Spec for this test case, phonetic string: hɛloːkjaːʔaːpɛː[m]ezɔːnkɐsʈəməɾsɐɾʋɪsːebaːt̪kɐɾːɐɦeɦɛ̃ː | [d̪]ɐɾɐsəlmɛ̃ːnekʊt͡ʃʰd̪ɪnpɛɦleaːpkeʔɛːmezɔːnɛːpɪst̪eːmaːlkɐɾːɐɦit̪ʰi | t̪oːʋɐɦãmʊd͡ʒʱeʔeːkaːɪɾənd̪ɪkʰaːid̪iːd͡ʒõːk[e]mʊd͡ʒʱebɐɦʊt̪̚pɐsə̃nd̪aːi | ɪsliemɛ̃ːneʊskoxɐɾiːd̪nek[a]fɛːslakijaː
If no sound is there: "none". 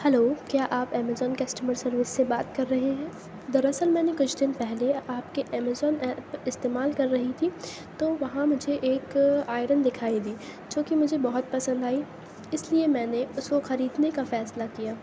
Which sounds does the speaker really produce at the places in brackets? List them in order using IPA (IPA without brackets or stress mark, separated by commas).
m, d̪, i, a